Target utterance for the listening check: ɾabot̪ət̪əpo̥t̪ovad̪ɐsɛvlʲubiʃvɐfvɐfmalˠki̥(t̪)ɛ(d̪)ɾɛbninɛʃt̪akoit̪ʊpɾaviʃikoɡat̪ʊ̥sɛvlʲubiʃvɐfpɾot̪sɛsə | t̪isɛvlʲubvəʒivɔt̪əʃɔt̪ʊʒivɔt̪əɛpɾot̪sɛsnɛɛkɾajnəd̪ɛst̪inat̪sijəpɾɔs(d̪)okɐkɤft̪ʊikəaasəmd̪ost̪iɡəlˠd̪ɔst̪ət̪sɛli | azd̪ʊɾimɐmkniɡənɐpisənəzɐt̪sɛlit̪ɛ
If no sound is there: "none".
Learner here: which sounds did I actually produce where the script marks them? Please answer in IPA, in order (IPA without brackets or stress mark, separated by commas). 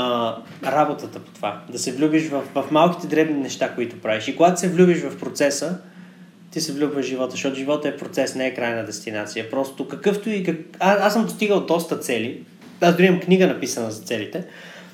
t̪, d̪, t̪